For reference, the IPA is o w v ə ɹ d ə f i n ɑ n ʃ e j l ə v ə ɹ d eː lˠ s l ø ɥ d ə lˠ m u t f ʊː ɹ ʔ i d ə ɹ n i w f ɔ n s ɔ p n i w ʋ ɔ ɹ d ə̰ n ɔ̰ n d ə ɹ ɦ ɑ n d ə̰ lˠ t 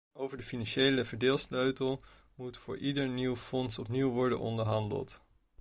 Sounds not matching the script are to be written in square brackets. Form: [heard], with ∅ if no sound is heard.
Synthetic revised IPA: o w v ə ɹ d ə f i n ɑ n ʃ e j l ə v ə ɹ d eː lˠ s l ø ɥ [t] ə lˠ m u t f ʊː ɹ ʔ i d ə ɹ n i w f ɔ n s ɔ p n i w ʋ ɔ ɹ d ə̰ n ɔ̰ n d ə ɹ ɦ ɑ n d ə̰ lˠ t